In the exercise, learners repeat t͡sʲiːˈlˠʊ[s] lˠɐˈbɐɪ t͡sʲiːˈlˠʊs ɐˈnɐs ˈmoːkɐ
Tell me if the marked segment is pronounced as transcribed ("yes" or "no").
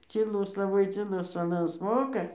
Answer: yes